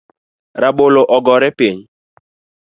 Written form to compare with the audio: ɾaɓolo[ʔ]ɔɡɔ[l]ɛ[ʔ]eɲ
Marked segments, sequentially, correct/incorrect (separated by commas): correct, incorrect, incorrect